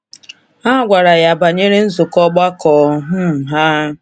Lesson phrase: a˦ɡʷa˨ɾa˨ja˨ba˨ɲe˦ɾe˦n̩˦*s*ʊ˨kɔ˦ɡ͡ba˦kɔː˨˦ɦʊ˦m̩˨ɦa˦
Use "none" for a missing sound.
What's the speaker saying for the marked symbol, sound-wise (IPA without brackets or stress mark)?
z